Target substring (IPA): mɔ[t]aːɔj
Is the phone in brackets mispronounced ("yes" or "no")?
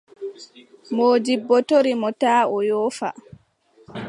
no